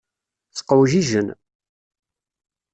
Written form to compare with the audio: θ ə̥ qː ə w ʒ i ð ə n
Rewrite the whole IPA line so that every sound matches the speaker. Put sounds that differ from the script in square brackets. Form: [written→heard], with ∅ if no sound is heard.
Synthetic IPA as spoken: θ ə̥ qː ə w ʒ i [ð→ʒ] ə n